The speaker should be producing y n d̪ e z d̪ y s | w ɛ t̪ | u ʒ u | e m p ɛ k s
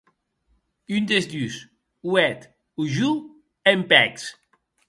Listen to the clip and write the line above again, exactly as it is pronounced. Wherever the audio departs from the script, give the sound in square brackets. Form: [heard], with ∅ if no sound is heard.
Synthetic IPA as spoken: y n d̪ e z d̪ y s | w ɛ t̪ | u ʒ u | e m p ɛ k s